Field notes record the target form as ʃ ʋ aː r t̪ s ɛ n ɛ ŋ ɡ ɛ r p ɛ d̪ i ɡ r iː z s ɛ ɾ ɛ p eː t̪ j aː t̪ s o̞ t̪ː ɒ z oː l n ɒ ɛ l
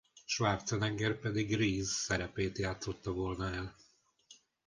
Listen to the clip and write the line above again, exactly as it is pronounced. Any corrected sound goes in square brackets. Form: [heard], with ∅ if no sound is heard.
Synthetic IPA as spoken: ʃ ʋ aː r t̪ s ɛ n ɛ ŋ ɡ ɛ r p ɛ d̪ i ɡ r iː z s ɛ ɾ ɛ p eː t̪ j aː t̪ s o̞ t̪ː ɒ [v] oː l n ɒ ɛ l

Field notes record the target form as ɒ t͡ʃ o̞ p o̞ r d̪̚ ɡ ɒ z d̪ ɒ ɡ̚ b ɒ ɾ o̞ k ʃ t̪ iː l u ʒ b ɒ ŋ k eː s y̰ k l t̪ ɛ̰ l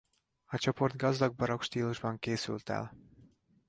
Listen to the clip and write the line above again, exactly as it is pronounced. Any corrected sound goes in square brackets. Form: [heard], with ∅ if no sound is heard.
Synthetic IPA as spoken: ɒ t͡ʃ o̞ p o̞ r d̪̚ ɡ ɒ z d̪ ɒ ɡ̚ b ɒ ɾ o̞ k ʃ t̪ iː l u ʒ b ɒ ŋ k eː s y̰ [∅] l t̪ ɛ̰ l

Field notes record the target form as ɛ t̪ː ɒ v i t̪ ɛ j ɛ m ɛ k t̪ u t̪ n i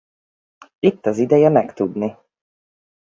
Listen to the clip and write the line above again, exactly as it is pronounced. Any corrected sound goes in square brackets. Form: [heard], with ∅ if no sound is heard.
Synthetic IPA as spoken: [i] t̪ː ɒ [z] i [d̪] ɛ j ɛ m ɛ k t̪ u [d̪] n i

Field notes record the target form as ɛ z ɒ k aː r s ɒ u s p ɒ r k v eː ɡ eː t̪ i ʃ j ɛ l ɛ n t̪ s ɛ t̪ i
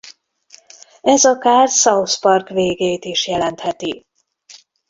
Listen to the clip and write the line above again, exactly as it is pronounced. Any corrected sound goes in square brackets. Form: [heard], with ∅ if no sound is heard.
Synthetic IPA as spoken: ɛ z ɒ k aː r s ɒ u s p ɒ r k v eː ɡ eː t̪ i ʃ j ɛ l ɛ n t̪ [h] ɛ t̪ i

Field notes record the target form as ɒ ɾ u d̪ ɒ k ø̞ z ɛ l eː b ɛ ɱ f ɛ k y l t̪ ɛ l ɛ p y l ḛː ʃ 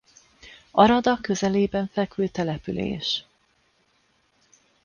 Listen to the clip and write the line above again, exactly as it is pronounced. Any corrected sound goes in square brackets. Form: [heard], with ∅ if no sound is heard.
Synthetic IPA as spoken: ɒ ɾ [ɒ] d̪ ɒ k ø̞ z ɛ l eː b ɛ ɱ f ɛ k y l t̪ ɛ l ɛ p y l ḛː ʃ

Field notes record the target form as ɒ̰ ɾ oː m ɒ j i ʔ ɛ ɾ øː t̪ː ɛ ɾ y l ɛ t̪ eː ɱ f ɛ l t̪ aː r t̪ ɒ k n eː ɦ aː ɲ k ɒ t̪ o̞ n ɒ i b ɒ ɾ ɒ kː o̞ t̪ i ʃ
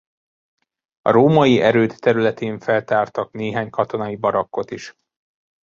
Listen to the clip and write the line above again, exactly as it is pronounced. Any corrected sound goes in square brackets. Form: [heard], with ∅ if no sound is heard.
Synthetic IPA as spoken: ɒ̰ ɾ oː m ɒ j i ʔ ɛ ɾ øː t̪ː ɛ ɾ y l ɛ t̪ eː ɱ f ɛ l t̪ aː r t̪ ɒ k n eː ɦ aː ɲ k ɒ t̪ o̞ n ɒ i b ɒ ɾ ɒ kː o̞ t̪ i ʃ

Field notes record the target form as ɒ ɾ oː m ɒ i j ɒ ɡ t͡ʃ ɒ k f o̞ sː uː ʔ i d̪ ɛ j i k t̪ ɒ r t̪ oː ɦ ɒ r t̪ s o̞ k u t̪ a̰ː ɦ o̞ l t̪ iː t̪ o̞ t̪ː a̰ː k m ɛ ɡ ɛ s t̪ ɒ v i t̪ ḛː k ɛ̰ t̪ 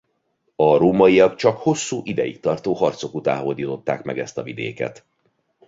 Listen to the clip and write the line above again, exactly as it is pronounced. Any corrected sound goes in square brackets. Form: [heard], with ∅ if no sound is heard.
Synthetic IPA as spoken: ɒ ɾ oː m ɒ i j ɒ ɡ t͡ʃ ɒ k [h] o̞ sː uː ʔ i d̪ ɛ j i k t̪ ɒ r t̪ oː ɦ ɒ r t̪ s o̞ k u t̪ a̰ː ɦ o̞ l [d̪] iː t̪ o̞ t̪ː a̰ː k m ɛ ɡ ɛ s t̪ ɒ v i [d̪] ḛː k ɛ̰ t̪

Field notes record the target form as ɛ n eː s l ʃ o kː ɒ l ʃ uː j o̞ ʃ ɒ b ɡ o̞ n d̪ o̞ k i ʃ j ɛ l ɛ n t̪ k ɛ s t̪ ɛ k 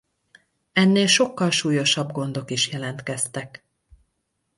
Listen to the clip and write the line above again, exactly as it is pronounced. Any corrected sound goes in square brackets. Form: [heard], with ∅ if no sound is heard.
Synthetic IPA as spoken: ɛ [nː] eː [∅] l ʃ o kː ɒ l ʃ uː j o̞ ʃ ɒ b ɡ o̞ n d̪ o̞ k i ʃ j ɛ l ɛ n t̪ k ɛ s t̪ ɛ k

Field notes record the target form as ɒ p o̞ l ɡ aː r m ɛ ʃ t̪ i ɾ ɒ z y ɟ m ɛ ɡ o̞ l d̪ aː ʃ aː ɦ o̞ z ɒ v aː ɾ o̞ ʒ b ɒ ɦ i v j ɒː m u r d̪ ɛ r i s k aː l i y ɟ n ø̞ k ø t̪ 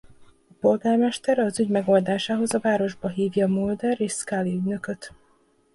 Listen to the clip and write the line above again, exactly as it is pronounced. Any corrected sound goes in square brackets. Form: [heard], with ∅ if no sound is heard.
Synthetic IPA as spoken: ɒ p o̞ l ɡ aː r m ɛ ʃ t̪ [ɛ] ɾ ɒ z y ɟ m ɛ ɡ o̞ l d̪ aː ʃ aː ɦ o̞ z ɒ v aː ɾ o̞ ʒ b ɒ ɦ [iː] v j ɒː m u [l] d̪ ɛ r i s k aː l i y ɟ n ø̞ k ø t̪

